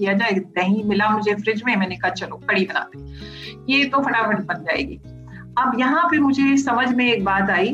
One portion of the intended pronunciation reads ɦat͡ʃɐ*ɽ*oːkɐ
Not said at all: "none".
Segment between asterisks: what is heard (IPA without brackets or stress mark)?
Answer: l